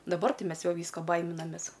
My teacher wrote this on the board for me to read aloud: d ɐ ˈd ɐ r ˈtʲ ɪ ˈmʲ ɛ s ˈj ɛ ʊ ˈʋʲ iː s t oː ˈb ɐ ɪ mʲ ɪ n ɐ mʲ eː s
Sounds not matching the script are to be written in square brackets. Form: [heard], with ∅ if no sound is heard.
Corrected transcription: d ɐ [ˈb] ɐ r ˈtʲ ɪ ˈmʲ ɛ s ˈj ɛ ʊ ˈʋʲ iː s [k] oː ˈb ɐ ɪ mʲ ɪ n ɐ mʲ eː s